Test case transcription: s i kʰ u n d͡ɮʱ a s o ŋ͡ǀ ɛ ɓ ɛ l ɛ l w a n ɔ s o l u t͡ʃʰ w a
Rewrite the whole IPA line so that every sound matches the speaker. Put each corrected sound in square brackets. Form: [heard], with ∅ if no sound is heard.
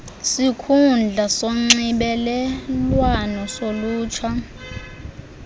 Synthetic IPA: s i kʰ u n d͡ɮʱ a s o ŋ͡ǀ [i] ɓ ɛ l ɛ l w a n ɔ s o l [uː] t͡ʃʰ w a

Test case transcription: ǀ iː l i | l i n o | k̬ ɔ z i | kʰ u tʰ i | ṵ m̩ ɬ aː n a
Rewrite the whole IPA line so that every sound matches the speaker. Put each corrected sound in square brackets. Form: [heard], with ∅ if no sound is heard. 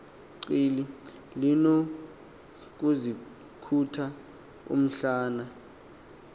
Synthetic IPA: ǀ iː l i | l i n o | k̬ [u] z i | kʰ u tʰ [a] | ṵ m̩ ɬ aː n a

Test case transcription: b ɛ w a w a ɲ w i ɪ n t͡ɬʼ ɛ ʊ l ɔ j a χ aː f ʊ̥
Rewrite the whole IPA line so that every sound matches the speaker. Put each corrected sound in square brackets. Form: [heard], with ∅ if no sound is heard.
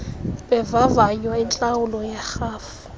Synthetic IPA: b ɛ [v] a [v] a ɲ w [a] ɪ n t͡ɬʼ [a] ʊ l ɔ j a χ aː f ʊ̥

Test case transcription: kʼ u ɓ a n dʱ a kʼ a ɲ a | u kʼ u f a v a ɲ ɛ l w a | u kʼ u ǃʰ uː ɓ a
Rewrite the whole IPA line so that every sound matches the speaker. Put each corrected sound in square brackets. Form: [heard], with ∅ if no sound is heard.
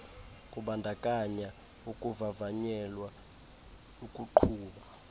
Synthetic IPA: kʼ u ɓ a n dʱ a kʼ a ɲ a | u kʼ u [v] a v a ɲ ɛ l w a | u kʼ u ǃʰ uː ɓ a

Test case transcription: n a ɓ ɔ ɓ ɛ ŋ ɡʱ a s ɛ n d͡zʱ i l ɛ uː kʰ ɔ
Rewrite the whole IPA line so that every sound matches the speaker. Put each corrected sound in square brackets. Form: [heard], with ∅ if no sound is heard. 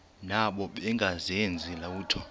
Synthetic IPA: n a ɓ ɔ ɓ ɛ ŋ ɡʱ a [z] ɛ n d͡zʱ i l [a] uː [tʰ] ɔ

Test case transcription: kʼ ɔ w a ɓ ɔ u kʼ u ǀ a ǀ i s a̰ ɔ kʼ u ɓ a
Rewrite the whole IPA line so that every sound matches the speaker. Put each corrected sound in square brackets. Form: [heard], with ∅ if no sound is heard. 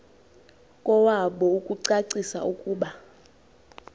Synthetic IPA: kʼ ɔ w a ɓ ɔ u kʼ u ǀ a ǀ i s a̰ [u] kʼ [uː] ɓ a

